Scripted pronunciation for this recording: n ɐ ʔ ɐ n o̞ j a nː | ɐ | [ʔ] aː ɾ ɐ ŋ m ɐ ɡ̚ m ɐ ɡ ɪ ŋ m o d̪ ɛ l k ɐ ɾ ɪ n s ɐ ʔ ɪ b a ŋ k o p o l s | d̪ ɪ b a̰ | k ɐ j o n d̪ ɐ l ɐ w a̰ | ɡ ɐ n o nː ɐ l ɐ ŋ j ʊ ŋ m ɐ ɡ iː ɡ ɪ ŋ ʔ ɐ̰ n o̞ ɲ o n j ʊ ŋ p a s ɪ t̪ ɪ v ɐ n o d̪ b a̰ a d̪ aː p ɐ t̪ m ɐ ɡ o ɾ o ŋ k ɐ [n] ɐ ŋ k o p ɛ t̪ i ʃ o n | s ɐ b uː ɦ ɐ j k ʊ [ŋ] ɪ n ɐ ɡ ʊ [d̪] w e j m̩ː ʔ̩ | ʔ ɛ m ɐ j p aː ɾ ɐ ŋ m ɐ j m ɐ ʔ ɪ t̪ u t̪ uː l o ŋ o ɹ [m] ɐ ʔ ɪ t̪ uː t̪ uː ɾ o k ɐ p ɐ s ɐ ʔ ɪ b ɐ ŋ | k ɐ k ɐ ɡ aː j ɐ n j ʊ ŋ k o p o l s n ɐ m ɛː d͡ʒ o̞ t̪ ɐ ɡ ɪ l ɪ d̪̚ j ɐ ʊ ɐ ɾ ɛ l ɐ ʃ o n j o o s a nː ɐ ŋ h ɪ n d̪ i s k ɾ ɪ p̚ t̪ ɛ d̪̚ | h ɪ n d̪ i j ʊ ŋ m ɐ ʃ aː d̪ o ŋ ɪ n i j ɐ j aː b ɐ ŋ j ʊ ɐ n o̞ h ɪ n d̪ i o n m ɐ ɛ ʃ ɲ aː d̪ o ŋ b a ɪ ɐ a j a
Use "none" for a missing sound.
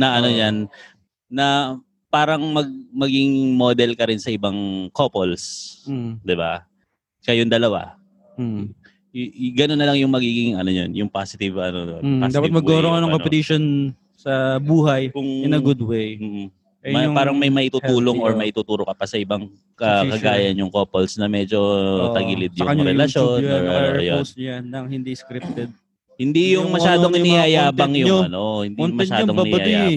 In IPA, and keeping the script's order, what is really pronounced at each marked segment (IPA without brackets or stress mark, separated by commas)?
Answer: p, n, ŋ, d̪, m